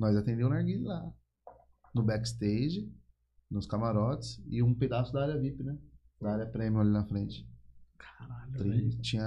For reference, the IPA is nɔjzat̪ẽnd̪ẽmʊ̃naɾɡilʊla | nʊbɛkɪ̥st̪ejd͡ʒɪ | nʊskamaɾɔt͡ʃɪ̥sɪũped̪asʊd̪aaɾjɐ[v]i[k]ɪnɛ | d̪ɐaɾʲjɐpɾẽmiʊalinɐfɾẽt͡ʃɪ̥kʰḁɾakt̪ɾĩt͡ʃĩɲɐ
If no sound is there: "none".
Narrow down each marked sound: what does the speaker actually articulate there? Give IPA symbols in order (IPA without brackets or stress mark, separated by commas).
v, p